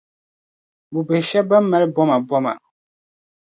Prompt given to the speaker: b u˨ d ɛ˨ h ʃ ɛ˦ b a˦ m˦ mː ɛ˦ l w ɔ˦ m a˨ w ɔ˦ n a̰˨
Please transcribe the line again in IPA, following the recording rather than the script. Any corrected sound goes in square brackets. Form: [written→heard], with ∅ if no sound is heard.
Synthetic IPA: b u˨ [d→b] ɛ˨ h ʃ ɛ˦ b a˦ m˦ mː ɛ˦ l [w→b] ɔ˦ m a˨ [w→b] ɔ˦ [n→m] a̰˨